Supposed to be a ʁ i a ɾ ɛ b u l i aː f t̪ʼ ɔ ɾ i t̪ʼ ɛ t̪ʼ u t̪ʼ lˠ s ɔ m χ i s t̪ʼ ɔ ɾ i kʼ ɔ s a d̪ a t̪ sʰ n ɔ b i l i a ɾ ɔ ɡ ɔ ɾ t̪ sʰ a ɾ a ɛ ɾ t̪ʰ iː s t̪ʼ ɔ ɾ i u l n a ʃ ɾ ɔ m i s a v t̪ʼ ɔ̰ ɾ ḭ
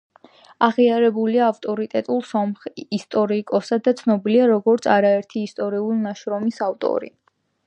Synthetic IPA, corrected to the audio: a ʁ i a ɾ ɛ b u l i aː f t̪ʼ ɔ ɾ i t̪ʼ ɛ t̪ʼ u lˠ s ɔ m χ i s t̪ʼ ɔ ɾ i kʼ ɔ s a d̪ a t̪ sʰ n ɔ b i l i a ɾ ɔ ɡ ɔ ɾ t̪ sʰ a ɾ a ɛ ɾ t̪ʰ iː s t̪ʼ ɔ ɾ i u l n a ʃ ɾ ɔ m i s a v t̪ʼ ɔ̰ ɾ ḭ